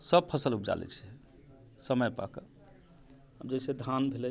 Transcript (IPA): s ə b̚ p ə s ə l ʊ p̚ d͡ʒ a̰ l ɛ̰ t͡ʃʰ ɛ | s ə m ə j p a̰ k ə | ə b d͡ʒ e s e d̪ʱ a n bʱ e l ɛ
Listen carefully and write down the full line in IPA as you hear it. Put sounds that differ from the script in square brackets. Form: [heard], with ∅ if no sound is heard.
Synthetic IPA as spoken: s ə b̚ [pʰ] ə s ə l [u] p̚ d͡ʒ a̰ l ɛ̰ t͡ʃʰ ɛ | s ə m ə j p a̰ k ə | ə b d͡ʒ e s e d̪ʱ a n bʱ e l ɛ

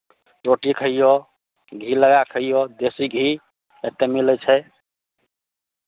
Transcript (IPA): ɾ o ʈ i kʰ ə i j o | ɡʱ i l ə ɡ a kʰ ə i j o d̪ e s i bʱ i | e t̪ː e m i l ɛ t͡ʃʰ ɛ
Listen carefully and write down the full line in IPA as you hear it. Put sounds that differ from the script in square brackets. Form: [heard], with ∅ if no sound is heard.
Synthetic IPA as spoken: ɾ o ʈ i kʰ ə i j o | ɡʱ i l ə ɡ a kʰ ə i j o d̪ e s i [ɡʱ] i | e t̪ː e m i l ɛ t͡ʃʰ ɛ

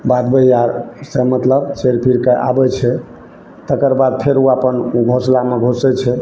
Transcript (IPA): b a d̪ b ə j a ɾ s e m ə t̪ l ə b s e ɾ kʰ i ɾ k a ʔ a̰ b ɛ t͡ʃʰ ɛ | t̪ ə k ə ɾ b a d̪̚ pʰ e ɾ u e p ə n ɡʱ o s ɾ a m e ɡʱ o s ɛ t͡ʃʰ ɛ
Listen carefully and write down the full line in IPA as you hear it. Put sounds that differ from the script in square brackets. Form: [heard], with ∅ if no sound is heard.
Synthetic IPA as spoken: b a d̪ b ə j a ɾ s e m ə t̪ l ə b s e ɾ [pʰ] i ɾ k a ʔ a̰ b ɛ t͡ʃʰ ɛ | t̪ ə k ə ɾ b a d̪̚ pʰ e ɾ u [a] p ə n ɡʱ o s [l] a m e ɡʱ o s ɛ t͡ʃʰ ɛ

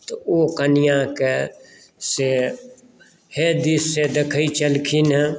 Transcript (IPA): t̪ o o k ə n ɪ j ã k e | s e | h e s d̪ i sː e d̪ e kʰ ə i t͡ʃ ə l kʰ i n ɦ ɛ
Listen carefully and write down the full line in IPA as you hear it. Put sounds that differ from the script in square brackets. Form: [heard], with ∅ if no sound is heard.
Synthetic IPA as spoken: t̪ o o k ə n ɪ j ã k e | s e | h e [∅] d̪ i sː e d̪ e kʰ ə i t͡ʃ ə l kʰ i n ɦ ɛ

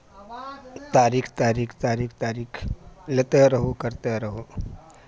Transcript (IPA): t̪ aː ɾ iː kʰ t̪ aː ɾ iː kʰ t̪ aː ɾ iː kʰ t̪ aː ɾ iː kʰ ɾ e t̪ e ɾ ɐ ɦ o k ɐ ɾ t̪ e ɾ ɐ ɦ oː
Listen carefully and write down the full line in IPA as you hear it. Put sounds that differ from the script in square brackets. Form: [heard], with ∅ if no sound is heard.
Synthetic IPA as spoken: t̪ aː ɾ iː kʰ t̪ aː ɾ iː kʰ t̪ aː ɾ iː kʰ t̪ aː ɾ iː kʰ [l] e t̪ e ɾ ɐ ɦ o k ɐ ɾ t̪ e ɾ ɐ ɦ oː

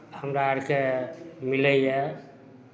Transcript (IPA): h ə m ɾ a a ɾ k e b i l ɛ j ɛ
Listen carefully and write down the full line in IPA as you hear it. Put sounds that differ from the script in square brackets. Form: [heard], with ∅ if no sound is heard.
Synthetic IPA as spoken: h ə m ɾ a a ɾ k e [m] i l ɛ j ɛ

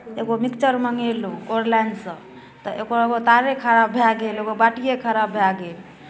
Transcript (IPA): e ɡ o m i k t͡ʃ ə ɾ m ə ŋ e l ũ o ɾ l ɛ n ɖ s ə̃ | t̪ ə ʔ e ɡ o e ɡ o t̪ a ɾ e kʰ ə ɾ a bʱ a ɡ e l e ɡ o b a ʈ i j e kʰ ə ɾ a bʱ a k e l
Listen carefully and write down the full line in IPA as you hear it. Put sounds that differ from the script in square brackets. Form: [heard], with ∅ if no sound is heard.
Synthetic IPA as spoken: e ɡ o m i k t͡ʃ ə ɾ m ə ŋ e l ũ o ɾ l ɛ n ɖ s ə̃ | t̪ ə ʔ e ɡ o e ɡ o t̪ a ɾ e kʰ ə ɾ a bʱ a ɡ e l e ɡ o b a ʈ i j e kʰ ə ɾ a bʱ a [ɡ] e l

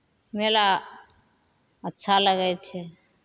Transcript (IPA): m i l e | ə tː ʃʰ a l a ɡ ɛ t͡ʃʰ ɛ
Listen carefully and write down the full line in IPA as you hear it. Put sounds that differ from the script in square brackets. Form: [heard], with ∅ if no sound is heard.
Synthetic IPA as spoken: m [e] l [a] | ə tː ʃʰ a l [ə] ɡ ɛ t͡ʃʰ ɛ

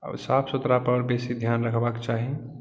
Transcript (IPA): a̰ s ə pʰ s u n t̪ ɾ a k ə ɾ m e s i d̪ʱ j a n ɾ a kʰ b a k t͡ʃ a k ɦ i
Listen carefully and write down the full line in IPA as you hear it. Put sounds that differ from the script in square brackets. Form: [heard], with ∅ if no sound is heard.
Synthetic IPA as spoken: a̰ s [a] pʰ s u [∅] t̪ ɾ a [p] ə ɾ [b] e s i d̪ʱ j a n ɾ [ə] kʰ b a k t͡ʃ a [∅] ɦ i

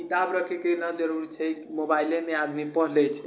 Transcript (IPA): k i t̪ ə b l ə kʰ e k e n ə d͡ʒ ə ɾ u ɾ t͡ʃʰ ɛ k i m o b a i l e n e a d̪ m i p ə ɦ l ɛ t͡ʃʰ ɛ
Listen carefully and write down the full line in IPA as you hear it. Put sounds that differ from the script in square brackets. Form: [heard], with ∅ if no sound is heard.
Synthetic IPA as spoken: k i t̪ [a] b [ɾ] ə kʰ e k e n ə d͡ʒ ə ɾ u ɾ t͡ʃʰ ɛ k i m o b a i l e [m] e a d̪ m i p ə ɦ l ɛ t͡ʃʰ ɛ

